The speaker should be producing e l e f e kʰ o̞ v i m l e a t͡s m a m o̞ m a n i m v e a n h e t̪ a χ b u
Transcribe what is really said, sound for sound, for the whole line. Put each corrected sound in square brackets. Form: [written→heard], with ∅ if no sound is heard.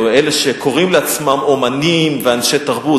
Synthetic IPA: e l e [f→ʃ] e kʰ o̞ [v→ʁ] i m l e a t͡s m a m o̞ m a n i m v e a n [h→ʃ] e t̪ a [χ→ʁ] b u